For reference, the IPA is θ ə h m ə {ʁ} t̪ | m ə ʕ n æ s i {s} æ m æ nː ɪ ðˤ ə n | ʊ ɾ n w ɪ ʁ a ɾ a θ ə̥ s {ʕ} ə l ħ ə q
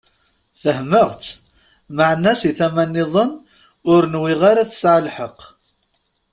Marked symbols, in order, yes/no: yes, no, yes

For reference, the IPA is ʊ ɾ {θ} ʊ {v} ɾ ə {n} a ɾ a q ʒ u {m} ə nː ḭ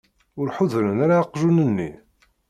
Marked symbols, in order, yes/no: no, no, yes, no

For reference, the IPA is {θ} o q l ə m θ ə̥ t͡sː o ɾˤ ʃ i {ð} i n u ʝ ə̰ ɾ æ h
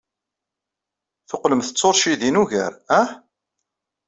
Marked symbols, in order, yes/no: yes, yes

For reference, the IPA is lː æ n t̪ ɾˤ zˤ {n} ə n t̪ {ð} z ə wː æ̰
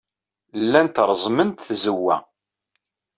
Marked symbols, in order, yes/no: no, no

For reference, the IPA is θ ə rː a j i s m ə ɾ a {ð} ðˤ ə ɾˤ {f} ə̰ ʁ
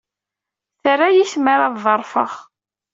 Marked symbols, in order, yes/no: yes, yes

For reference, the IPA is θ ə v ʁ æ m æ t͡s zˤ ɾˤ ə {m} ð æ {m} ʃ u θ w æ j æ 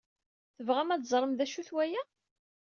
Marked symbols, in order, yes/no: yes, no

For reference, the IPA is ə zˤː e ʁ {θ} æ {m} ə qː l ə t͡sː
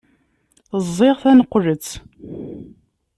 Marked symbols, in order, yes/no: yes, no

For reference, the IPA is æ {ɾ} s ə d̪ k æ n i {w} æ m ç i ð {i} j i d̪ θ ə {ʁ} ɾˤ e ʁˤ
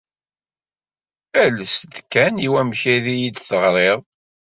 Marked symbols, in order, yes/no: no, yes, yes, yes

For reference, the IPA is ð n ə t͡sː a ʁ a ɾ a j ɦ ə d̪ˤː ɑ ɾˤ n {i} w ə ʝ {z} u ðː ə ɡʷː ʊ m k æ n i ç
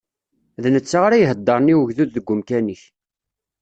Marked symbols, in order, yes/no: yes, no

